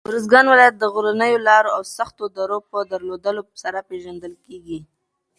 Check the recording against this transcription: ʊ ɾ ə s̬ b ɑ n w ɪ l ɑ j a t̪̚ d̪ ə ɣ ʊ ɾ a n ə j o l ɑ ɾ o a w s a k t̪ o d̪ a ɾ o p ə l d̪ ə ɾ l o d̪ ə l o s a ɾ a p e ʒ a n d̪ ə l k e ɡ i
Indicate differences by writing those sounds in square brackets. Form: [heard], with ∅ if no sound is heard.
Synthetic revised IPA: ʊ ɾ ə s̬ [ɡ] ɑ n w ɪ l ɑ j a t̪̚ d̪ ə ɣ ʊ ɾ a n ə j o l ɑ ɾ o a w s a [x] t̪ o d̪ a ɾ o p ə [∅] d̪ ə ɾ l o d̪ ə l o s a ɾ a p e ʒ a n d̪ ə l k e ɡ i